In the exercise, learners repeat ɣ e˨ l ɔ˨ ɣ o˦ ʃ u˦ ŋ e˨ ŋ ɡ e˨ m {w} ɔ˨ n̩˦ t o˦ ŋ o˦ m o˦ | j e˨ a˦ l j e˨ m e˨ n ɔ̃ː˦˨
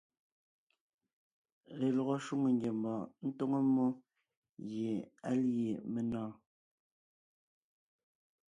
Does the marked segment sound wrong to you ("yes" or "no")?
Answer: yes